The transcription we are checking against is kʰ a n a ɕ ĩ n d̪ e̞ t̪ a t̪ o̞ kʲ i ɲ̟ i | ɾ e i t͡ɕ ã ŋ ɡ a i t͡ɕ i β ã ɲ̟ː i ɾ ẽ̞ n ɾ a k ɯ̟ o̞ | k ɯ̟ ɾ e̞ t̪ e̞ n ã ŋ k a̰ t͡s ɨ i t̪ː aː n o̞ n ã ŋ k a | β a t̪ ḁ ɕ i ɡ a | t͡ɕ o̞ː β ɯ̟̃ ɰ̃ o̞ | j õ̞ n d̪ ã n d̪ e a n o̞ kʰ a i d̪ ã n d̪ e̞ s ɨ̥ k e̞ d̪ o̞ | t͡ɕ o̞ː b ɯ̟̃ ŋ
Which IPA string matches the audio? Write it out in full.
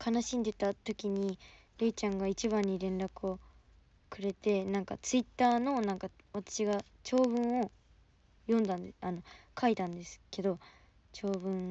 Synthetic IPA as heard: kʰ a n a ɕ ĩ n d̪ e̞ t̪ a t̪ o̞ kʲ i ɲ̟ i | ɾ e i t͡ɕ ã ŋ ɡ a i t͡ɕ i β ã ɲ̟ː i ɾ ẽ̞ n ɾ a k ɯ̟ o̞ | k ɯ̟ ɾ e̞ t̪ e̞ n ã ŋ k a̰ t͡s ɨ i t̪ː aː n o̞ n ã ŋ k a | β a t̪ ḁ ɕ i ɡ a | t͡ɕ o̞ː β ɯ̟̃ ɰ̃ o̞ | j õ̞ n d̪ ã n d̪ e a n o̞ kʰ a i t̪ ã n d̪ e̞ s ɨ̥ k e̞ d̪ o̞ | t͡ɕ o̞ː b ɯ̟̃ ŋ